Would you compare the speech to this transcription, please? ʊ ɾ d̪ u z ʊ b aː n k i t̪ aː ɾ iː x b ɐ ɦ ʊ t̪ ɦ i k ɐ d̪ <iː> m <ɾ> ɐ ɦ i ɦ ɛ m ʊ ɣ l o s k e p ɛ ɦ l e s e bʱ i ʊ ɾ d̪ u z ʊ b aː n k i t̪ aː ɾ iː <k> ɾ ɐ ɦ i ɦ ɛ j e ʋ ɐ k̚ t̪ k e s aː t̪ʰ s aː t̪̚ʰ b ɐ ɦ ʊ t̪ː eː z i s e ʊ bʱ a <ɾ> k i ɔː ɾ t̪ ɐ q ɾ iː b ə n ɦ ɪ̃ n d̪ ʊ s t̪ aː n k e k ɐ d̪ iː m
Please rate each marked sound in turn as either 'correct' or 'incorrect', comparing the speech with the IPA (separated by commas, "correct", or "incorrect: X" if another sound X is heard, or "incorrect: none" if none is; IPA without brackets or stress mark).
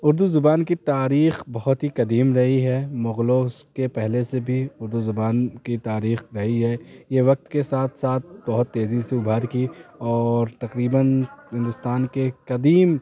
correct, correct, incorrect: x, correct